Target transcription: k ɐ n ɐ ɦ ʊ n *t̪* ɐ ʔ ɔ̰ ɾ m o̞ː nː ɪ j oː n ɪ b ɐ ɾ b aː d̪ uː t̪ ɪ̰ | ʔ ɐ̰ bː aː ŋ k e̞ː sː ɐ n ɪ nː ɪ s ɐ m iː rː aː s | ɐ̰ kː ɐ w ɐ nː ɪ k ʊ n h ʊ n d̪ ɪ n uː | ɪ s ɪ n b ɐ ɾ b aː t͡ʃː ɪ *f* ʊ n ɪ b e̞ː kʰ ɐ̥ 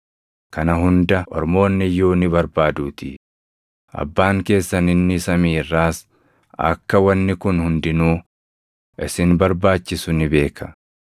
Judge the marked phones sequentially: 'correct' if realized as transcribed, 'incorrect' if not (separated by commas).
incorrect, incorrect